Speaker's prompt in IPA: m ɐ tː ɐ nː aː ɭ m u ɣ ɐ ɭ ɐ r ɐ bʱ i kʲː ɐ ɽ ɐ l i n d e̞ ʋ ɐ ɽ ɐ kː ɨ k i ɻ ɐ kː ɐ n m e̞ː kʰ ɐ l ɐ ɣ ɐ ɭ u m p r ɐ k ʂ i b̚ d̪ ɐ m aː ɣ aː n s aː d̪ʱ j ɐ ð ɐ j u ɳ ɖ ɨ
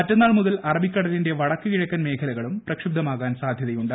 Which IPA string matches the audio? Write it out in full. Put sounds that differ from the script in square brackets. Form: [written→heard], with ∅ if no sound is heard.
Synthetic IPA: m ɐ tː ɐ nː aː ɭ m u [ɣ→ð] ɐ [ɭ→l] ɐ r ɐ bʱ i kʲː ɐ ɽ ɐ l i n d e̞ ʋ ɐ ɽ ɐ kː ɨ k i ɻ ɐ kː ɐ n m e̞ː kʰ ɐ l ɐ ɣ ɐ ɭ u m p r ɐ k ʂ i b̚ d̪ ɐ m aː ɣ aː n s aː d̪ʱ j ɐ ð ɐ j u ɳ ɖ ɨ